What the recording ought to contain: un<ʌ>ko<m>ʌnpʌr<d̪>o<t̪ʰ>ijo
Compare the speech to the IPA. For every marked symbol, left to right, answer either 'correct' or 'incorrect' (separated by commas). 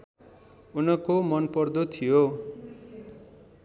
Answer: correct, correct, correct, correct